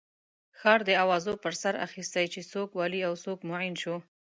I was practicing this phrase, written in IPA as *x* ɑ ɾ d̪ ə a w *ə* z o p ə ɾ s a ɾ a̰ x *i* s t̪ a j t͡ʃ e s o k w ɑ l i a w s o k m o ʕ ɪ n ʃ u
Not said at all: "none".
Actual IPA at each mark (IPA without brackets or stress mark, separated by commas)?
x, ɑ, i